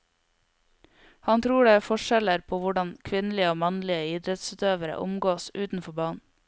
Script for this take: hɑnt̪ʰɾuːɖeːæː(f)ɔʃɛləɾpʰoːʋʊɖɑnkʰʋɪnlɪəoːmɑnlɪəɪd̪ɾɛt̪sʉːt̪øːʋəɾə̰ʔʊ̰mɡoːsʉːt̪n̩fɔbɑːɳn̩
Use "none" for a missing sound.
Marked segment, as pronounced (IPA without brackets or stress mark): f